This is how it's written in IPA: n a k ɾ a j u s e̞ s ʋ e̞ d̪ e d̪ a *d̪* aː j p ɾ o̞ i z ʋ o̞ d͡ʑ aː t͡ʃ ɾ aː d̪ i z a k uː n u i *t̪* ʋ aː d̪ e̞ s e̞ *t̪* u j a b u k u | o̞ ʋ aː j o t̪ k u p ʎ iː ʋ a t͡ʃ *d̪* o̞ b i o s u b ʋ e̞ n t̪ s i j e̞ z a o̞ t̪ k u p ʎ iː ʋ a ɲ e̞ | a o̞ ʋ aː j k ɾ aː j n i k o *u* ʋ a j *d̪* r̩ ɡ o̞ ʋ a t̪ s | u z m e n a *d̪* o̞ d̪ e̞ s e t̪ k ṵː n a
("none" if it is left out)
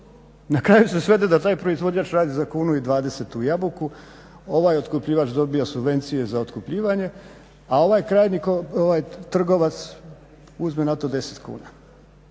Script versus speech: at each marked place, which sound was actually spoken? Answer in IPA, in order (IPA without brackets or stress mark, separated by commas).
t̪, d̪, t̪, d̪, o, t̪, t̪